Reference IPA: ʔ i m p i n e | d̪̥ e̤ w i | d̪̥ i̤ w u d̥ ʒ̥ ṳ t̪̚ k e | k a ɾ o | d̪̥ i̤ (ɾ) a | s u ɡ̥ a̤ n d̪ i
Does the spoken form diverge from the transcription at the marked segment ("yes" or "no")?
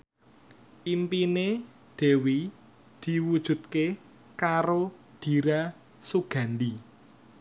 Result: no